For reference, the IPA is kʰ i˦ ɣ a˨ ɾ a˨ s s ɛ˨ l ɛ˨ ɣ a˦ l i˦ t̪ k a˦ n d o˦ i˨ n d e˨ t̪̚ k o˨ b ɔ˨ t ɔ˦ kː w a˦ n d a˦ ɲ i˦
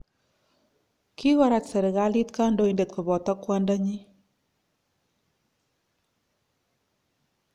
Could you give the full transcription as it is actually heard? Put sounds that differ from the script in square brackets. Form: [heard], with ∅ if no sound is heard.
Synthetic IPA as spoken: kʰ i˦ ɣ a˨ ɾ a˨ [t] s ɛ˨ [ɾ] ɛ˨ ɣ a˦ l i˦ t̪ k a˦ n d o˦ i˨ n d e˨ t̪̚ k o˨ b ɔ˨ t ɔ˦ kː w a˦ n d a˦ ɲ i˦